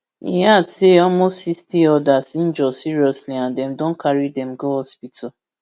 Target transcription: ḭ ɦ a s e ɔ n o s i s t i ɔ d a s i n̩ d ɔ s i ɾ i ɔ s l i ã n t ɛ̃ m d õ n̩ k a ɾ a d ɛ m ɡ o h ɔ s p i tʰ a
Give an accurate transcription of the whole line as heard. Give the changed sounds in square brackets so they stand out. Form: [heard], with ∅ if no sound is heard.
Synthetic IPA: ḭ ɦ a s e ɔ [m] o s i s t i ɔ d a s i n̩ [d͡ʒ] ɔ s i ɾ i ɔ s l i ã n [d] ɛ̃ m d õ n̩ k a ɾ [i] d ɛ m ɡ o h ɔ s p i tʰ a